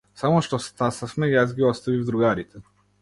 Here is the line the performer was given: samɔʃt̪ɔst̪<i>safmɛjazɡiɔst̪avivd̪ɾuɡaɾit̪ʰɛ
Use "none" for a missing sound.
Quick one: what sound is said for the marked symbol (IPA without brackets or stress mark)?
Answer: a